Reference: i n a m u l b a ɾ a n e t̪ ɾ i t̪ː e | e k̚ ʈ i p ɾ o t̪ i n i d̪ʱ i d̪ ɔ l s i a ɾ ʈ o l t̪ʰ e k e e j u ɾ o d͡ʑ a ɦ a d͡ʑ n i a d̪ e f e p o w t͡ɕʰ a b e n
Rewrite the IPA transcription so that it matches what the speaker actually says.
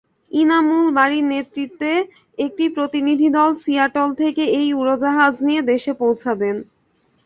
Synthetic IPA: i n a m u l b a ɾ i n e t̪ ɾ i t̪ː e | e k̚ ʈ i p ɾ o t̪ i n i d̪ʱ i d̪ ɔ l s i a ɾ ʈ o l t̪ʰ e k e e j u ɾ o d͡ʑ a ɦ a d͡ʑ n i e d̪ e ʃ e p o w t͡ɕʰ a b e n